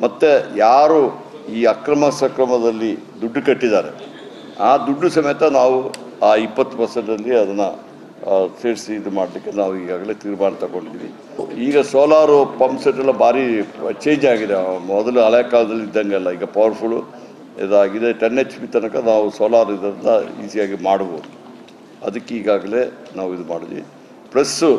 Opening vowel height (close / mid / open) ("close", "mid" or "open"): open